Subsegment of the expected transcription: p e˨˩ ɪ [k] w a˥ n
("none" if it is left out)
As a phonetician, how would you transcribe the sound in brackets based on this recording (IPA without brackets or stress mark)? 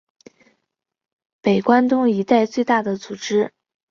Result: k